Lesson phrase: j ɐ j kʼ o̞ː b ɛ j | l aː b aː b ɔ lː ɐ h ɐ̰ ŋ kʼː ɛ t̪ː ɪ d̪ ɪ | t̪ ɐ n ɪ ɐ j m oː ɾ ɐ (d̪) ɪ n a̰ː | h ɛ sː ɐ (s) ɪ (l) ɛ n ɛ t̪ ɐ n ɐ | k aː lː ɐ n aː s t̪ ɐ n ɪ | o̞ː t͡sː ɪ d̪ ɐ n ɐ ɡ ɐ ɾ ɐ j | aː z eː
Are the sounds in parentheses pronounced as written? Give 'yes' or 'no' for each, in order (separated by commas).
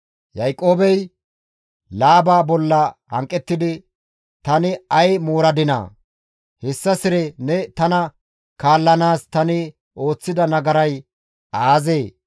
yes, yes, no